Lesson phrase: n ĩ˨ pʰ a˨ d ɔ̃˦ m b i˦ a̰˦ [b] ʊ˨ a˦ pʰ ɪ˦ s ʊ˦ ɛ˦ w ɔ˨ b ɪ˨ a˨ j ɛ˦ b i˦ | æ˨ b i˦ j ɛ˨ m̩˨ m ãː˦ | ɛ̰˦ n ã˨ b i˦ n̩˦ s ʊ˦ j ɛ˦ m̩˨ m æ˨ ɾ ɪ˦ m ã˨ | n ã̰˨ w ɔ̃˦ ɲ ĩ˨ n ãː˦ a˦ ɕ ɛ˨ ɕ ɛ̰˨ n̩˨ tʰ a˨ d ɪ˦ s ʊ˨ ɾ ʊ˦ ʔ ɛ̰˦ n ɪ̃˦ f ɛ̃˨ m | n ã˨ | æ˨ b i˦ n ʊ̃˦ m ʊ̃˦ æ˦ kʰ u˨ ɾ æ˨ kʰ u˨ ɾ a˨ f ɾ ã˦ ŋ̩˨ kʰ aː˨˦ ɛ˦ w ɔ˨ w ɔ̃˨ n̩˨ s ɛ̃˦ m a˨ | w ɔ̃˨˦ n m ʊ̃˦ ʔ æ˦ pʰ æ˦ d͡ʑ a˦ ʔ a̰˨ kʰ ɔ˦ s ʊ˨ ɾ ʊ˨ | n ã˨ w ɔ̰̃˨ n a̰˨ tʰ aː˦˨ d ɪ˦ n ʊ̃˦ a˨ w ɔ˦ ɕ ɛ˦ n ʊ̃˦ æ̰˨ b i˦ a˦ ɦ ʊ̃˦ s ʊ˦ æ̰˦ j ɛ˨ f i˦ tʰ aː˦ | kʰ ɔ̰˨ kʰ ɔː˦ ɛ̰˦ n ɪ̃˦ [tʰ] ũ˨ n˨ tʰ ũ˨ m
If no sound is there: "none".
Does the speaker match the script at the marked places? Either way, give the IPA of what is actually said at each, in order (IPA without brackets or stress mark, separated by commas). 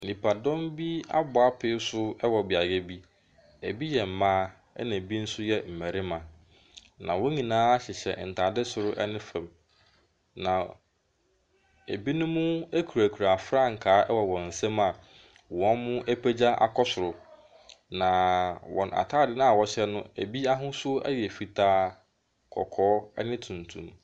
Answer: b, tʰ